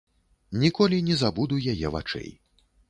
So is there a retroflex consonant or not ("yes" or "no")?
yes